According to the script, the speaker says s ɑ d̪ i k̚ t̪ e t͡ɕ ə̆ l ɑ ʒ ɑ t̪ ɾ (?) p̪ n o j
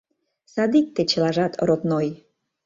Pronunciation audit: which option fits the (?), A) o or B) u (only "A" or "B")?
A